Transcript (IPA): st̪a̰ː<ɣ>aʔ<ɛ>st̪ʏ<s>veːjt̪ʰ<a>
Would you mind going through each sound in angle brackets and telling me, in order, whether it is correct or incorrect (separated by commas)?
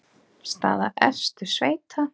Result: incorrect, correct, correct, correct